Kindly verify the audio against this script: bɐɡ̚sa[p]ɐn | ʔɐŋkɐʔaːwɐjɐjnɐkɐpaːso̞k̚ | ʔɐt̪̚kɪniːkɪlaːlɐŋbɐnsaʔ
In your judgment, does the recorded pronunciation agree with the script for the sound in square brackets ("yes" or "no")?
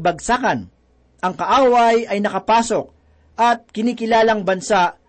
no